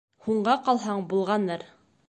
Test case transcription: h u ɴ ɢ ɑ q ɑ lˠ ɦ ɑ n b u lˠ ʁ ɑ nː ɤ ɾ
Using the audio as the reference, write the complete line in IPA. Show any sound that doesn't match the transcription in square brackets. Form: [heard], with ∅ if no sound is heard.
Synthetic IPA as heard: h u ɴ ɢ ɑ q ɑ lˠ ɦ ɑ [ɴ] b u lˠ ʁ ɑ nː ɤ ɾ